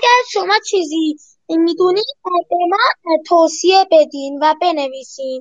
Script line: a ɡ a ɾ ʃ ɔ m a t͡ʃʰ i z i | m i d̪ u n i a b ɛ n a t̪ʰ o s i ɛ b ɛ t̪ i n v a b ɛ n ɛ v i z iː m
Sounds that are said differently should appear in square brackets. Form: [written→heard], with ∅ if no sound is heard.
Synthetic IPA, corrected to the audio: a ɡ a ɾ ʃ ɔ m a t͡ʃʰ i z i | m i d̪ u n i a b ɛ [n→m] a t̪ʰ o s i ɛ b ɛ [t̪→d̪] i n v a b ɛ n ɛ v i [z→s] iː [m→n]